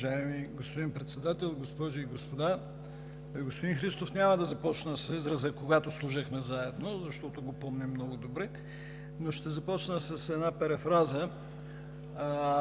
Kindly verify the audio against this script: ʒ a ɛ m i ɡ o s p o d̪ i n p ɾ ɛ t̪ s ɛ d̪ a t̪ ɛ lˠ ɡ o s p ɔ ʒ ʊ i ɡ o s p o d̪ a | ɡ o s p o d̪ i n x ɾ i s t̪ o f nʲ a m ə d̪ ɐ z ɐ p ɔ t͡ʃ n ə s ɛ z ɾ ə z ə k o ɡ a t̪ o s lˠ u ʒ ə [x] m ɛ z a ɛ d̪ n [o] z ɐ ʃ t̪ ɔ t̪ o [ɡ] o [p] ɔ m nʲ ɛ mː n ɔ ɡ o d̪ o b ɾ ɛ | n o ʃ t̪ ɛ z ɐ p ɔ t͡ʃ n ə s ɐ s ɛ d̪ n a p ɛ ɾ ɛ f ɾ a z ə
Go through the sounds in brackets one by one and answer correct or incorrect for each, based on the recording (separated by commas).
correct, correct, correct, correct